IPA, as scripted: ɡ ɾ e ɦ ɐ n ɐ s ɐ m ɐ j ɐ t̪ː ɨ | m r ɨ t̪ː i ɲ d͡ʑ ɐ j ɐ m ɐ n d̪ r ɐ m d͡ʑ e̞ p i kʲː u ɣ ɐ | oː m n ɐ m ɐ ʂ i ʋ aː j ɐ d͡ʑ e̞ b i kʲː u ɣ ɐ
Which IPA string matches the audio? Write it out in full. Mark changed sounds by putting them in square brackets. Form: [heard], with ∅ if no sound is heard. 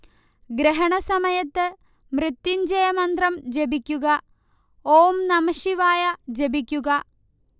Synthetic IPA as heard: ɡ ɾ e ɦ ɐ [ɳ] ɐ s ɐ m ɐ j ɐ t̪ː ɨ | m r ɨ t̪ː i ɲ d͡ʑ ɐ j ɐ m ɐ n d̪ r ɐ m d͡ʑ e̞ [b] i kʲː u ɣ ɐ | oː m n ɐ m ɐ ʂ i ʋ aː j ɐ d͡ʑ e̞ b i kʲː u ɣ ɐ